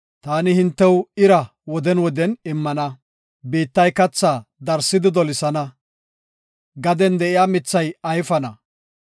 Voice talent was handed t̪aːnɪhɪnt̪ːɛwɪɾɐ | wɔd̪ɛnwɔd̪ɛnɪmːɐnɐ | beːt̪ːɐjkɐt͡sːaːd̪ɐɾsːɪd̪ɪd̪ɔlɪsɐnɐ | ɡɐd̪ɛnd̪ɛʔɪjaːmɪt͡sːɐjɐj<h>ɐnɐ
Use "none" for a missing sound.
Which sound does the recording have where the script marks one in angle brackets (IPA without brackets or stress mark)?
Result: f